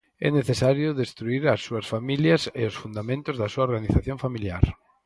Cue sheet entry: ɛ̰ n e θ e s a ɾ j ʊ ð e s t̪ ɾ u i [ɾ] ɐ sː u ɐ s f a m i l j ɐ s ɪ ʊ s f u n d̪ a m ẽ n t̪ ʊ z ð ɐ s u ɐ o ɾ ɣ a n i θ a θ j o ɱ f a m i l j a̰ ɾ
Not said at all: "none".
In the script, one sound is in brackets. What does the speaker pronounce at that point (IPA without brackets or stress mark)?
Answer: ɾ